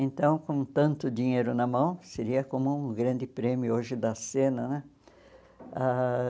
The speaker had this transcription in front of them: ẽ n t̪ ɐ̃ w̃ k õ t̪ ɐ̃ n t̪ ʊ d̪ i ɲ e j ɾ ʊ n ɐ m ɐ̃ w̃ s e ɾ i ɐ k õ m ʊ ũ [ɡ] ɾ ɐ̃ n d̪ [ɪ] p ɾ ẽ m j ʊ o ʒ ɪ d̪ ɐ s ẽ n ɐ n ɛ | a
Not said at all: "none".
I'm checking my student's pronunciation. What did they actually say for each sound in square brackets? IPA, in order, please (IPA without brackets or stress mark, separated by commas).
ɡ, ɪ